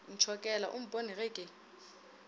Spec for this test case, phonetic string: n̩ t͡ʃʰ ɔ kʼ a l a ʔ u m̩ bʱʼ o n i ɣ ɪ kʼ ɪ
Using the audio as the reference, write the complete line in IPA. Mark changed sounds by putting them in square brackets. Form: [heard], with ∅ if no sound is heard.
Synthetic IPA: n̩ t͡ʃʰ ɔ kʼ [ɛ] l a ʔ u m̩ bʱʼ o n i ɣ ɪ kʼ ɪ